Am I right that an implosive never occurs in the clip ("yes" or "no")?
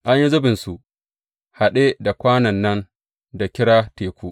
no